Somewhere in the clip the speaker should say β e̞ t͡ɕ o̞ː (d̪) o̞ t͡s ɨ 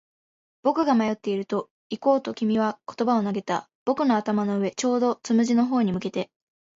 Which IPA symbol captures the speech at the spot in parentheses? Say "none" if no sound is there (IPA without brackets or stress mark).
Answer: d̪